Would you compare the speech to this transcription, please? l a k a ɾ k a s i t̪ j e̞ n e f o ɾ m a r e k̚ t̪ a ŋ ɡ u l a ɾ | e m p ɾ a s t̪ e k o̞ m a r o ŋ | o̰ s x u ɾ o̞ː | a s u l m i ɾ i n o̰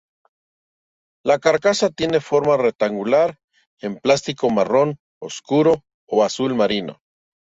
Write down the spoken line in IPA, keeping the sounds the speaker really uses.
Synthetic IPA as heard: l a k a ɾ k a s a t̪ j e̞ n e f o ɾ m a r e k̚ t̪ a ŋ ɡ u l a ɾ | e m p l a s t̪ i k o̞ m a r o n | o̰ s k u ɾ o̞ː | a s u l m a ɾ i n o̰